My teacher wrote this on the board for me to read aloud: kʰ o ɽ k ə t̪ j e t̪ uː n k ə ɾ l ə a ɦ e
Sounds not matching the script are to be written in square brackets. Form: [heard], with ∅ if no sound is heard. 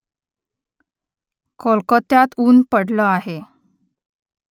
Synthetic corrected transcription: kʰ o [l] k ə t̪ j [a] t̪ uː n [p] ə [ɽ] l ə a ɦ e